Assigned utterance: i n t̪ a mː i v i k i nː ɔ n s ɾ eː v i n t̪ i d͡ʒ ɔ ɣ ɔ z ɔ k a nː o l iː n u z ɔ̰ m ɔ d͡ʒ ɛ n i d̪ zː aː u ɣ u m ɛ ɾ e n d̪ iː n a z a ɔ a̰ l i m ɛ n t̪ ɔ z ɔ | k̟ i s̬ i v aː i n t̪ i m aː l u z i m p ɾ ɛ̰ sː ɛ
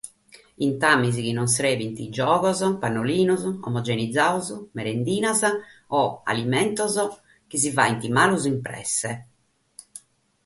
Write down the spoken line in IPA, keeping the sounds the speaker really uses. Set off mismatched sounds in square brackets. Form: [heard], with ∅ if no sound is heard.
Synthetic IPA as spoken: i n t̪ a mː i [z] i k i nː ɔ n s ɾ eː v i n t̪ i d͡ʒ [ɔː] ɣ ɔ z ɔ [p] a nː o l iː n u z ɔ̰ m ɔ d͡ʒ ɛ n i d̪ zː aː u [z] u m ɛ ɾ e n d̪ iː n a z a ɔ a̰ l i m ɛ n t̪ ɔ z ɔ | k̟ i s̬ i v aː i n t̪ i m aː l u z i m p ɾ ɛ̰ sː ɛ